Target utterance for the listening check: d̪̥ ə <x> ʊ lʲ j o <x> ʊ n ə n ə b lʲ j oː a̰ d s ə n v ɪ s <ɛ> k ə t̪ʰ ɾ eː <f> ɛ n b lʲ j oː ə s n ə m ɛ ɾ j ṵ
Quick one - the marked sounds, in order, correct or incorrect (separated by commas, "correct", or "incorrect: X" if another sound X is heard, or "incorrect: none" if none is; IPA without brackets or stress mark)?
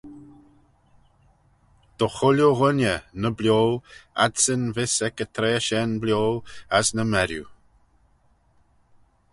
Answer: correct, incorrect: ɣ, correct, incorrect: ʃ